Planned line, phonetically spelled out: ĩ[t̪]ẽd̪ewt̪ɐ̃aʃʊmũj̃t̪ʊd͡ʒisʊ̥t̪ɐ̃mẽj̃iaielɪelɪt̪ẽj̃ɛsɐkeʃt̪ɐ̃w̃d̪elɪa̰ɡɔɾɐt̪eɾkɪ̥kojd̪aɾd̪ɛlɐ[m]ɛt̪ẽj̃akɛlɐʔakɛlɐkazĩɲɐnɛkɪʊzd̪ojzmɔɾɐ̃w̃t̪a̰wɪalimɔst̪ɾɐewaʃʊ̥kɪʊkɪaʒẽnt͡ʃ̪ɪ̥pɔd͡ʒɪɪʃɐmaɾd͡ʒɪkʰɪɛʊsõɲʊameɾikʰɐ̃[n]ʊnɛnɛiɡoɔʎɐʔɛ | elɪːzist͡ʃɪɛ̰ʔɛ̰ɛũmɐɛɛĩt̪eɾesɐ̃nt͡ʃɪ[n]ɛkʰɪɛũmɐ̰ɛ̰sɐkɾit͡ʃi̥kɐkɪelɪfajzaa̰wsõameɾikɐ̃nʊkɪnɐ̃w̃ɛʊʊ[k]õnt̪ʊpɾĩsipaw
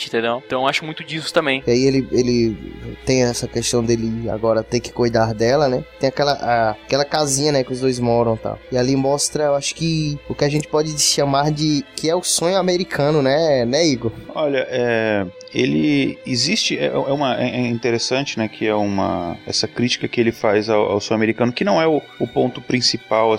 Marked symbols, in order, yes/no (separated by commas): yes, no, yes, yes, no